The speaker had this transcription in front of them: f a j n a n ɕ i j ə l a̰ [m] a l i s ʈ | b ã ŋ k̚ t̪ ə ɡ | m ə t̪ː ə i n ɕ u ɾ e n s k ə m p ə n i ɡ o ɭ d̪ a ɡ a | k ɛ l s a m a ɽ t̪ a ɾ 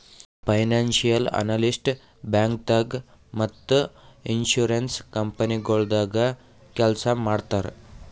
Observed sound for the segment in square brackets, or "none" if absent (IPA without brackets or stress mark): n